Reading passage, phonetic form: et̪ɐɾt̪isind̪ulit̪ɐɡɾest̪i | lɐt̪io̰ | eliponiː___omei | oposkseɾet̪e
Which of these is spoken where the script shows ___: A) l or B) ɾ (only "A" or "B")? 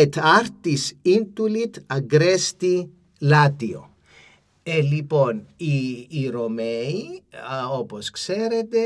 B